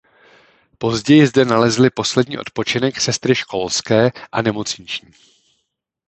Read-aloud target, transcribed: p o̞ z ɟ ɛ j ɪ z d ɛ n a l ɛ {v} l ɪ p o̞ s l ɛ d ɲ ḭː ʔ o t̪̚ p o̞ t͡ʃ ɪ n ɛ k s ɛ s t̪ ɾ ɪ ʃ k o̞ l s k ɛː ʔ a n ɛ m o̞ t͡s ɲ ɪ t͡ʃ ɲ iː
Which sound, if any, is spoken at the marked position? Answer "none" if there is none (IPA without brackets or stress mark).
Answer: z